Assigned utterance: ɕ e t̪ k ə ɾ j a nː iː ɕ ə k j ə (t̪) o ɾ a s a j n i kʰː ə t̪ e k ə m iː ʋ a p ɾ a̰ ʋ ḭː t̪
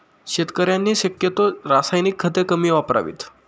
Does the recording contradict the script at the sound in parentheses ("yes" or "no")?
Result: no